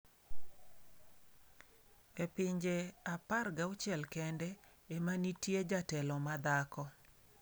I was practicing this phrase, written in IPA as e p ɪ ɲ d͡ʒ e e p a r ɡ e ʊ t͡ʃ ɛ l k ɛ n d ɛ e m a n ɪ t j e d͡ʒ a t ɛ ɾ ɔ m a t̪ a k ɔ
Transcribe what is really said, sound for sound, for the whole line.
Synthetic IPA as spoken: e p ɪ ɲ d͡ʒ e a p a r ɡ a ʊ t͡ʃ ɛ l k ɛ n d ɛ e m a n i t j e d͡ʒ a t ɛ l ɔ m a d̪ a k ɔ